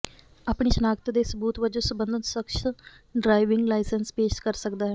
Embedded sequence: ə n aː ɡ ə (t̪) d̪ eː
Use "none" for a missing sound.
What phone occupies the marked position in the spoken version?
t̪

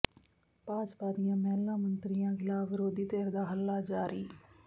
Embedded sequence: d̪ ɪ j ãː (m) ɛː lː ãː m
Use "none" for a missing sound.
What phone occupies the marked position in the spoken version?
m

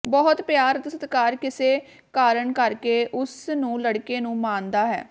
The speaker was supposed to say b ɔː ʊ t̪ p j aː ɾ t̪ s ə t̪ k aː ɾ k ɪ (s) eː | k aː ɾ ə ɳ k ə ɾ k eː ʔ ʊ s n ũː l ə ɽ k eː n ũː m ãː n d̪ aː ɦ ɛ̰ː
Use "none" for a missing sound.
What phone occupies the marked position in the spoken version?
s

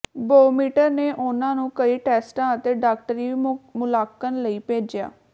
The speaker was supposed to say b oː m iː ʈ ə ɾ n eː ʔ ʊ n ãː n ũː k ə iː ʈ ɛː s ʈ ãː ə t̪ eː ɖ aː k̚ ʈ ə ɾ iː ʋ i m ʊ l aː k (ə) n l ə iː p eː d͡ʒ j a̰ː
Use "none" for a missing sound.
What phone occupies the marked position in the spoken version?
ə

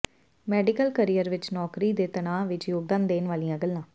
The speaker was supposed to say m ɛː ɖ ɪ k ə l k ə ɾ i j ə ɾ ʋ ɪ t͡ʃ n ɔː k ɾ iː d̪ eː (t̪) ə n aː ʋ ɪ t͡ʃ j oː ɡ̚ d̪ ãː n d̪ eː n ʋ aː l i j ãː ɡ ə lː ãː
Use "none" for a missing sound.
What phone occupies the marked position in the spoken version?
t̪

